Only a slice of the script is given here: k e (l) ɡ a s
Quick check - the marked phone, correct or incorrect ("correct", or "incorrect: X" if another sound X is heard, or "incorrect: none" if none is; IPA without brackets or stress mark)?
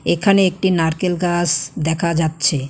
correct